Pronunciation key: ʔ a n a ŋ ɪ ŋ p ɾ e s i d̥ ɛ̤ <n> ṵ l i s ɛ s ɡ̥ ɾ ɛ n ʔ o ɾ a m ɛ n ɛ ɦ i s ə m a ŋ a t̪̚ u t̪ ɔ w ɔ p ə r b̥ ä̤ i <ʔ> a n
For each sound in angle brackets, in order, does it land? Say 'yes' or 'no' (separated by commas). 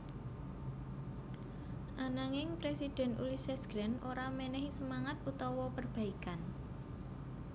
yes, no